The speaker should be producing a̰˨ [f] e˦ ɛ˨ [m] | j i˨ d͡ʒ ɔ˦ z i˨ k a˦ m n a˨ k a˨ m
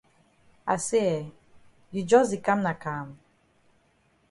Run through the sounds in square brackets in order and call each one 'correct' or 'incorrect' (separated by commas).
incorrect, incorrect